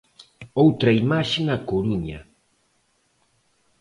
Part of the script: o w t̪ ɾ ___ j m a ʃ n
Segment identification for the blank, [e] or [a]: a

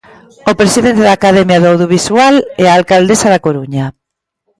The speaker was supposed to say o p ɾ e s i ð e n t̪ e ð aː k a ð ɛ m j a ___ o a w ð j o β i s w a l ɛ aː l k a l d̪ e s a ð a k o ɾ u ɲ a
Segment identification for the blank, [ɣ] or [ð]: ð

